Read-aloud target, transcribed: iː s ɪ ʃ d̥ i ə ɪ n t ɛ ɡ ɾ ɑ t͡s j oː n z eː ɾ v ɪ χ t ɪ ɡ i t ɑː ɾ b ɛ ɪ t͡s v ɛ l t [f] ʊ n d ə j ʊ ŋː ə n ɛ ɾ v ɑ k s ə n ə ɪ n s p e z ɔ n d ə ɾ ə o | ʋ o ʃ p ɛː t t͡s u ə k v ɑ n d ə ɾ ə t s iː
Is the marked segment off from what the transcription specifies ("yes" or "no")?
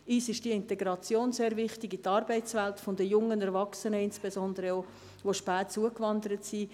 no